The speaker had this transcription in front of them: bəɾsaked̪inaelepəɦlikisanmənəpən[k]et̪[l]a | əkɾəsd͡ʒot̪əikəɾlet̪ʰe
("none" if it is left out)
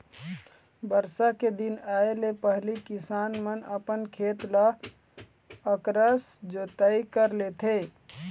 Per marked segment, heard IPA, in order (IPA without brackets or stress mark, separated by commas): kʰ, l